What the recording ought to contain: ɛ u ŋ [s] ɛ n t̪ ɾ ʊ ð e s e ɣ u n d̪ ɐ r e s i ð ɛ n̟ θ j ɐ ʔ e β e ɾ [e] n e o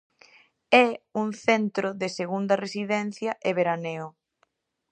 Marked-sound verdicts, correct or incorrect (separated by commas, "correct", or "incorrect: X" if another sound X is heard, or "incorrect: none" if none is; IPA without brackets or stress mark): incorrect: θ, incorrect: a